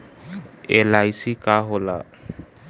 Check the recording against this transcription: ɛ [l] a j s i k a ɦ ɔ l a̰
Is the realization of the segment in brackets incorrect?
no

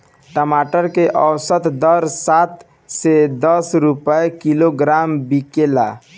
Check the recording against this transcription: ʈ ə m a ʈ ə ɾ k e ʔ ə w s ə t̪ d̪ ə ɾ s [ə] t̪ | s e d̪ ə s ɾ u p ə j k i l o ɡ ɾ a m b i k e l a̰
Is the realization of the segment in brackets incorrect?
yes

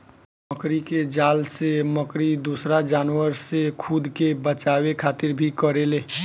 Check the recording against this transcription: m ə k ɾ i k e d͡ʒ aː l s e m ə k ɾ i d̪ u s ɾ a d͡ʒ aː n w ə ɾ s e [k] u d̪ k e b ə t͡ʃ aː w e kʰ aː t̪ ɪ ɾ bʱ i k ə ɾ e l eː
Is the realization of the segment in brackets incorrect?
yes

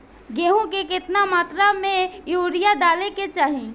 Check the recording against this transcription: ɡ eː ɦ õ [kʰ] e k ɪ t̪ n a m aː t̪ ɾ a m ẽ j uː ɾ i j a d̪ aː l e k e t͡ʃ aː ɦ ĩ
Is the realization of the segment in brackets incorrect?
yes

